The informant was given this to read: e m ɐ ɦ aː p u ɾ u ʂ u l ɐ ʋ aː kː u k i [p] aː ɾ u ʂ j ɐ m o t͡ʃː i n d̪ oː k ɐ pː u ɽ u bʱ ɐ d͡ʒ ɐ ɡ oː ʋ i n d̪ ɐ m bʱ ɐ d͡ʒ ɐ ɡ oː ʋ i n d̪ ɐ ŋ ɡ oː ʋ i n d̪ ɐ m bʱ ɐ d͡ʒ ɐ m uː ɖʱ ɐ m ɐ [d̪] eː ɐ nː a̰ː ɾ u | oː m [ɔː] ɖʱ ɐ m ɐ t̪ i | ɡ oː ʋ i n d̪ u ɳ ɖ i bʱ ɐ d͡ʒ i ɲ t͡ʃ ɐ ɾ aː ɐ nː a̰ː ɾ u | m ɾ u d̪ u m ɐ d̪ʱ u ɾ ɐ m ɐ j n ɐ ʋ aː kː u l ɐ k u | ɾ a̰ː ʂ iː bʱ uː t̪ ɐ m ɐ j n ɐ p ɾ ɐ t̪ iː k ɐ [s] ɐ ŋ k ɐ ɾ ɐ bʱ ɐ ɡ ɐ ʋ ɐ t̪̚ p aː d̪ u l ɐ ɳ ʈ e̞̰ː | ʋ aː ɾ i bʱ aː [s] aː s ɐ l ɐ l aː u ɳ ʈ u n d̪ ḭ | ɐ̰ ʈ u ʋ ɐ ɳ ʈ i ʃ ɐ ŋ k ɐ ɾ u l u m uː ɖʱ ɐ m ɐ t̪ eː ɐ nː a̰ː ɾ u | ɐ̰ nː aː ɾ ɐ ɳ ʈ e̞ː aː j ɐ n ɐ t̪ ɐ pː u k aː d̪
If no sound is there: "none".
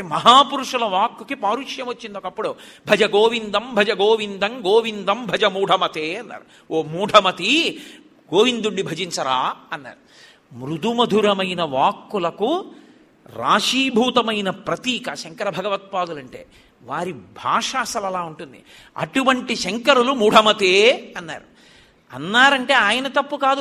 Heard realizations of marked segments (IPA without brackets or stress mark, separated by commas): p, t̪, uː, ʃ, ʂ